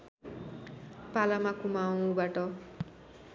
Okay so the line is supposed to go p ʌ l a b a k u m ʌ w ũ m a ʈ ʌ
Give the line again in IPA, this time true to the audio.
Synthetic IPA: p a l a m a k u m a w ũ b a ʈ ʌ